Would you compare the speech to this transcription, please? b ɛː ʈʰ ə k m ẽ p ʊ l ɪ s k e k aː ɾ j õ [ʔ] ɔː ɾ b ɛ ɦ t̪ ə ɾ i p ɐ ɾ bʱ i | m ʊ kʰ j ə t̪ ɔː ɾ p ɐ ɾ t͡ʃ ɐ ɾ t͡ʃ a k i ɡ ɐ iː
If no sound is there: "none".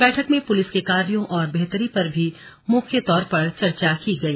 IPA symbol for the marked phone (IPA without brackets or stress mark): ʔ